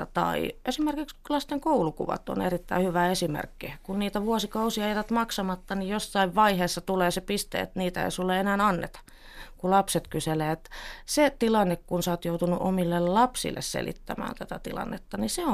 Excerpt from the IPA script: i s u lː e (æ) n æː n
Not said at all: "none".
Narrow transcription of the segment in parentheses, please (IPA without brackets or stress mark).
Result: e